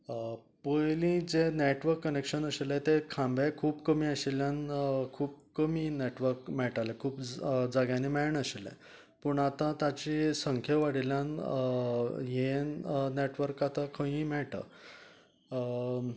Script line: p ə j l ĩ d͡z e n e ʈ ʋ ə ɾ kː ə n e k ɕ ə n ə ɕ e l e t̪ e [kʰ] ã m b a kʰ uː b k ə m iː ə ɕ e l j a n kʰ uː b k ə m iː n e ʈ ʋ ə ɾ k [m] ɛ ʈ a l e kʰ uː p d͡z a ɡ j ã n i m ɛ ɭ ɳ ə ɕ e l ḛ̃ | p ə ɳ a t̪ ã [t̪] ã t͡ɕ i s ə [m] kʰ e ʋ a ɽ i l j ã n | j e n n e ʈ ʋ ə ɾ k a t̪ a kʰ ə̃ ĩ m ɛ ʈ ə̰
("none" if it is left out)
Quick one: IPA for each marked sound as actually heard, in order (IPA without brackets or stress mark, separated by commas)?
kʰ, m, t̪, ŋ